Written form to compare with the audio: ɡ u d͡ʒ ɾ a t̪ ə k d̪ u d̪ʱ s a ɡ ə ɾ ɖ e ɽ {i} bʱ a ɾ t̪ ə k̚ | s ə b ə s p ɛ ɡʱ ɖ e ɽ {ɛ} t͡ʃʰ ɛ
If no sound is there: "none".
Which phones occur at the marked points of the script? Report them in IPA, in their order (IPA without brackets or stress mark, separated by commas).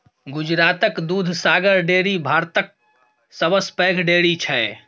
i, i